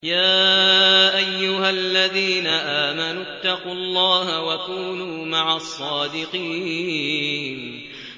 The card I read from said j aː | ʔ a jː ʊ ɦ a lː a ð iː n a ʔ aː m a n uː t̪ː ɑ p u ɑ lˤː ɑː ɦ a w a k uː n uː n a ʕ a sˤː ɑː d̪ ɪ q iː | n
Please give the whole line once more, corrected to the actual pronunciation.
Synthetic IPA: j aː | ʔ a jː ʊ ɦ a lː a ð iː n a ʔ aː m a n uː t̪ː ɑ q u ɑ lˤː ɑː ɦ a w a k uː n uː m a ʕ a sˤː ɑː d̪ ɪ q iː | n